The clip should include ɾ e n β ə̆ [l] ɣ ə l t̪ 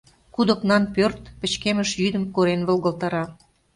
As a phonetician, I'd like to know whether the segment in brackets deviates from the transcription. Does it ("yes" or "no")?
no